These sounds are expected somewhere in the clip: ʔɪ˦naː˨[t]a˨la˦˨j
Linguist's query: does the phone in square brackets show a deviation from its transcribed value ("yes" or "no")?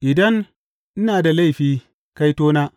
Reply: yes